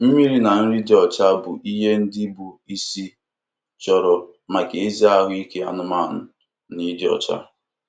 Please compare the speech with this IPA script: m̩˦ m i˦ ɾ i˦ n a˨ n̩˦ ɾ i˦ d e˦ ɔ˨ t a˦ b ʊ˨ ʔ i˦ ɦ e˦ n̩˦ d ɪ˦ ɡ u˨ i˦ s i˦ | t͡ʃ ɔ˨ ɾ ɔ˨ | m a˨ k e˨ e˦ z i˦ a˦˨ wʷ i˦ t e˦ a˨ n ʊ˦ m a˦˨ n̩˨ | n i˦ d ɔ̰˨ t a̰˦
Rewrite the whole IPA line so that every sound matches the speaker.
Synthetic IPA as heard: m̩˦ m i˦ ɾ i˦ n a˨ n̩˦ ɾ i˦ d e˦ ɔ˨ t͡ʃ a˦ b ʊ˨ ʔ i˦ ɦ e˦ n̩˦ d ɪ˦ b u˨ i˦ s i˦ | t͡ʃ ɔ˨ ɾ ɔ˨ | m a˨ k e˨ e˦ z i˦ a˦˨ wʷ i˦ k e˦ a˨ n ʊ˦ m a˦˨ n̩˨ | n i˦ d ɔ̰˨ t͡ʃ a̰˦